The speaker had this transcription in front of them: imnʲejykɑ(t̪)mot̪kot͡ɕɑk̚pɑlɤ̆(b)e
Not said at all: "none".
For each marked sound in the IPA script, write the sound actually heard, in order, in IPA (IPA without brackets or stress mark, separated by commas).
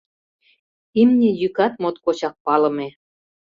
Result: t̪, m